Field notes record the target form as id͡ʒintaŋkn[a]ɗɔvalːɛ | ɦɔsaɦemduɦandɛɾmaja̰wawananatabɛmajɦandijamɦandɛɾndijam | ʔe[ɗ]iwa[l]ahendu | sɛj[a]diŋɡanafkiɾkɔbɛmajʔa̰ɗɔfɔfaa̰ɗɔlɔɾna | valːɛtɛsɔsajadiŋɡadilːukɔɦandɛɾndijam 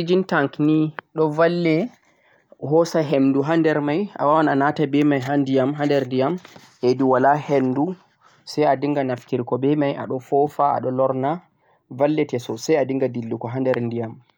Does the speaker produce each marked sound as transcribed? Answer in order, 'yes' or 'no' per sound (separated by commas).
no, no, yes, yes